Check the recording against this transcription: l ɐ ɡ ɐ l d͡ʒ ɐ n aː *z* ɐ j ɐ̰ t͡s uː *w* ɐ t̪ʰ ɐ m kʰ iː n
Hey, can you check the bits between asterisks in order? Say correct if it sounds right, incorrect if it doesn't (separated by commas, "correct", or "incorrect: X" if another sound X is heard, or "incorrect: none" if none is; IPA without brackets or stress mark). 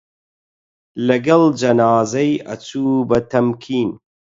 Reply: correct, incorrect: b